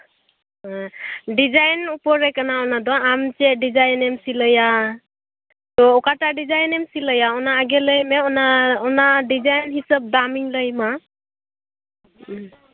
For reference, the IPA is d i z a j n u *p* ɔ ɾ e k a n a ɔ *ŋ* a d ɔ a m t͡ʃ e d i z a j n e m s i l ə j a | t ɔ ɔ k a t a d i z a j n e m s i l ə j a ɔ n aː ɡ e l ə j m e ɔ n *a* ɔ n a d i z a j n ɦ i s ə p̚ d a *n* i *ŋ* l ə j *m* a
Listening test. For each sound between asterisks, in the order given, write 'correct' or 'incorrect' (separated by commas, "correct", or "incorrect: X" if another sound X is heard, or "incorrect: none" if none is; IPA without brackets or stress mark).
correct, incorrect: n, correct, incorrect: m, correct, correct